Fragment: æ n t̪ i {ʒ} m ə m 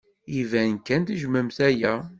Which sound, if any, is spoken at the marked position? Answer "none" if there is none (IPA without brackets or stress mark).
ʒ